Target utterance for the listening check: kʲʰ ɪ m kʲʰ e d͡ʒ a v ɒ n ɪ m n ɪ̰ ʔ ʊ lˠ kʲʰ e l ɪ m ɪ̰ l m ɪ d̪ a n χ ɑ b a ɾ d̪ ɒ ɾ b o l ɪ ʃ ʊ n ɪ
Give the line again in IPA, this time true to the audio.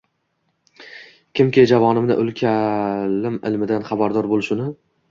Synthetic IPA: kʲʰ ɪ m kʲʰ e d͡ʒ a v ɒ n ɪ m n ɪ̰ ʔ ʊ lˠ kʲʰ a l ɪ m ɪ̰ l m ɪ d̪ a n χ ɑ b a ɾ d̪ ɒ ɾ b o l ɪ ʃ ʊ n ɪ